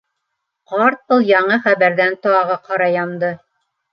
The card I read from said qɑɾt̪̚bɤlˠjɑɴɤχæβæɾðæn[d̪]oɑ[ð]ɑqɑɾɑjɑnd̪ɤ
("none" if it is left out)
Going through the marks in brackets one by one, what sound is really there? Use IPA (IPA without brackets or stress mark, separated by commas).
t̪, ʁ